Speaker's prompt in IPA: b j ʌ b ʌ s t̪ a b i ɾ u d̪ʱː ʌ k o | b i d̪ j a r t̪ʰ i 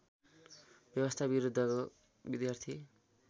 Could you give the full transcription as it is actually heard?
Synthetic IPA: b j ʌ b ʌ s t̪ʰ a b i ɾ u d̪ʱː ʌ k o | b i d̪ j a r t̪ʰ i